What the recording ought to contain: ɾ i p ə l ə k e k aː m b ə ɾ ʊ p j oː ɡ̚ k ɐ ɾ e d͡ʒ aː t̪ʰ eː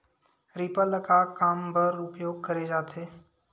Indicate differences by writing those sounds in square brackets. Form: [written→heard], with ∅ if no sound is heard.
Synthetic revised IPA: ɾ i p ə l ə k [e→a] k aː m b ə ɾ ʊ p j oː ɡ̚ k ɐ ɾ e d͡ʒ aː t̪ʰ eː